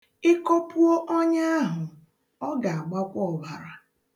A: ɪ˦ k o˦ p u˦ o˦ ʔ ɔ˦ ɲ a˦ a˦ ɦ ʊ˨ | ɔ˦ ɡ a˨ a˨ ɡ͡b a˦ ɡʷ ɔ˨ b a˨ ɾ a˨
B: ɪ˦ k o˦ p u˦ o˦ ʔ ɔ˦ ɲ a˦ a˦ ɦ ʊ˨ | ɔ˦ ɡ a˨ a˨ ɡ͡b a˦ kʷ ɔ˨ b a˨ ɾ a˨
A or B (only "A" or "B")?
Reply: B